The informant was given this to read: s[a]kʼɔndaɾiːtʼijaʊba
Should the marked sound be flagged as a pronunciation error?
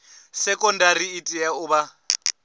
yes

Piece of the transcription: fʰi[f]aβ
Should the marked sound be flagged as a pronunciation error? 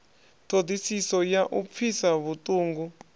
yes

